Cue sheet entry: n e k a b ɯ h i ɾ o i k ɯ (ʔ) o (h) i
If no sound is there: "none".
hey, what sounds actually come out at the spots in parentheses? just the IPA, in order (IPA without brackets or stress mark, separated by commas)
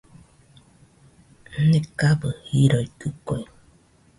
k, none